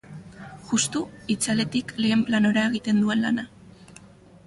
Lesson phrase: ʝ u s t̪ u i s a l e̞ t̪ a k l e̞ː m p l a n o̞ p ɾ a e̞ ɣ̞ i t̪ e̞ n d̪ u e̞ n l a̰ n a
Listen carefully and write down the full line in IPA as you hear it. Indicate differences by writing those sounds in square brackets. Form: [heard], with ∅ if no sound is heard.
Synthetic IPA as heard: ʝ u s t̪ u i [t͡s] a l e̞ t̪ [i] k l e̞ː m p l a n o̞ [∅] ɾ a e̞ ɣ̞ i t̪ e̞ n d̪ u e̞ n l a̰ n a